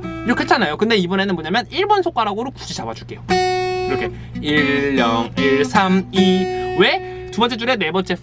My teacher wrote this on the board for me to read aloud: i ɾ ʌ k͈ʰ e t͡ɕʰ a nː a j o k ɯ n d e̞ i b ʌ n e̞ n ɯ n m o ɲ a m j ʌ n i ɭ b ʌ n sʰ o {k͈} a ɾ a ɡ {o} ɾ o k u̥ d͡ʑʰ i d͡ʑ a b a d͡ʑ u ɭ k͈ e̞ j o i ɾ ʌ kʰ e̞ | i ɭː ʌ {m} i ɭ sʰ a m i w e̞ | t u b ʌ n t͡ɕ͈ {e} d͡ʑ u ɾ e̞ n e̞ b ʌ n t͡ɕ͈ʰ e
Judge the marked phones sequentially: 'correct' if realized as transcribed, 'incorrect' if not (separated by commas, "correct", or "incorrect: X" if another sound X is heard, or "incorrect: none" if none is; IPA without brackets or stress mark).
correct, correct, incorrect: ŋ, correct